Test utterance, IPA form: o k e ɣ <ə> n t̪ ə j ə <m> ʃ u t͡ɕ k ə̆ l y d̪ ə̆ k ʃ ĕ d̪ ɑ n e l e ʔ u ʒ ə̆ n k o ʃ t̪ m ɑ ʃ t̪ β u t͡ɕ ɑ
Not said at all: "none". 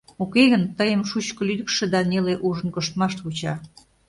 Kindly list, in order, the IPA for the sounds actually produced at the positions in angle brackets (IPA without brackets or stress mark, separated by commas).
ə, m